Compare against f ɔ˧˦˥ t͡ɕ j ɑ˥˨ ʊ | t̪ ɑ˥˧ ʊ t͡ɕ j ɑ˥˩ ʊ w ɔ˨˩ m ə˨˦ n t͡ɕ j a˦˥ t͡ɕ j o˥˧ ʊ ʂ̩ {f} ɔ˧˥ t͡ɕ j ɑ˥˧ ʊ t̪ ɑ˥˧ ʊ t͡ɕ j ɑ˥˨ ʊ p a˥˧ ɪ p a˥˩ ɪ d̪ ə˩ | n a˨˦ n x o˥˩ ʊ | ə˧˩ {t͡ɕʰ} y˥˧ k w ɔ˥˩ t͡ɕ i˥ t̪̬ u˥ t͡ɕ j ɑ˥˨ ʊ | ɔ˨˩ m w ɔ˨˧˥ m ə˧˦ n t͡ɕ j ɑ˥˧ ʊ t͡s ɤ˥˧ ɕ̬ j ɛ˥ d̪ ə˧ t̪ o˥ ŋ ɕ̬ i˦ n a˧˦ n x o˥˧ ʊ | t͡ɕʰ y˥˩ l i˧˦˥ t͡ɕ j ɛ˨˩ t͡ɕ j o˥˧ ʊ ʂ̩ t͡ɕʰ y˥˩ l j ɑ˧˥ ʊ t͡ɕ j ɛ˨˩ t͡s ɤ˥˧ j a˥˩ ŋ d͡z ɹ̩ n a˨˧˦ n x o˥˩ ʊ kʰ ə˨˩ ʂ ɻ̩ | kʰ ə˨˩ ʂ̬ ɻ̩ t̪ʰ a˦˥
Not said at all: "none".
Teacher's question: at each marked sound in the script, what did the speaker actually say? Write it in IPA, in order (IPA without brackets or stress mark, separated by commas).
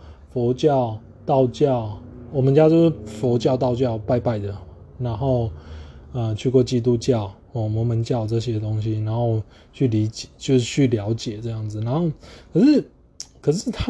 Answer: f, t͡ɕʰ